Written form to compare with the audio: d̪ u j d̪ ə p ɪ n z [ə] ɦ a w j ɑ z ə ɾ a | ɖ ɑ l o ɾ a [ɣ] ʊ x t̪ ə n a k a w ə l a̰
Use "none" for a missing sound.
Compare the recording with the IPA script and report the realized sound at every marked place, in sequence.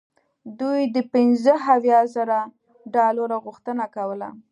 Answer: ə, ɣ

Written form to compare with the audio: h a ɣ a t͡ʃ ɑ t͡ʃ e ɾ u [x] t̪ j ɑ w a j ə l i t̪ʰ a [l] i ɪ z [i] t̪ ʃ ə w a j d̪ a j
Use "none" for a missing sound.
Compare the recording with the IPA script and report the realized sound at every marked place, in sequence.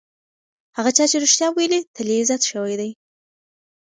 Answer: ʃ, l, a

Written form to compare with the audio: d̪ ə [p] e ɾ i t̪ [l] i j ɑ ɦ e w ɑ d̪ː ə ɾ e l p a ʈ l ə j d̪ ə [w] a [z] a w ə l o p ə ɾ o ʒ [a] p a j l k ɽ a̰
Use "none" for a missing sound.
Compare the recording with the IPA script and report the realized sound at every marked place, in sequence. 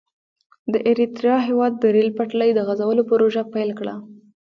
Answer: ʔ, ɾ, ɣ, z, a

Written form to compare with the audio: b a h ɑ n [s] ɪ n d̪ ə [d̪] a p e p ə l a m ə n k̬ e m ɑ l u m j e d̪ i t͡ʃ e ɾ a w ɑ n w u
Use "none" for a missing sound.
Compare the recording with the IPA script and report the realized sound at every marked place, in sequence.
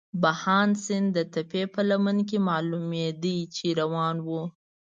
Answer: s, t̪

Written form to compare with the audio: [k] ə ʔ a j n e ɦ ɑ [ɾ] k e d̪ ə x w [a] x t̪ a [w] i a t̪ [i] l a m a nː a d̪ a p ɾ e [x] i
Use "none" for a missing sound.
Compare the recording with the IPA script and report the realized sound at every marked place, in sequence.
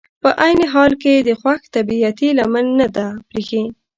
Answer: p, l, a, b, i, x

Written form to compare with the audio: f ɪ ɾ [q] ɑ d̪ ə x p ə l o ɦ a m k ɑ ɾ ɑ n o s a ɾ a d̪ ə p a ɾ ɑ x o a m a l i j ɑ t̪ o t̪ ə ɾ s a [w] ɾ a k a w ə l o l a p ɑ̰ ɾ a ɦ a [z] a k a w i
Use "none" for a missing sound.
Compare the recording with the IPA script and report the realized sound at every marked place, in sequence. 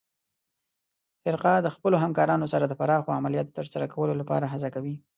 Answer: q, none, z

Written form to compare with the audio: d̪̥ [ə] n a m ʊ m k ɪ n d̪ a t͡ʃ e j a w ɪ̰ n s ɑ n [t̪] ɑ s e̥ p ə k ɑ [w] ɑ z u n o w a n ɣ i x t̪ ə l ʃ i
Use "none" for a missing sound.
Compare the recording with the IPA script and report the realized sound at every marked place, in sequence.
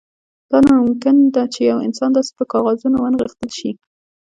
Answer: ɑ, d̪, ɣ

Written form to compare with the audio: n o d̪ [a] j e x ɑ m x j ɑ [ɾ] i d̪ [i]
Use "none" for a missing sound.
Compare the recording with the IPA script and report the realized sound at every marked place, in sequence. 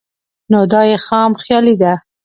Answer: ɑ, l, a

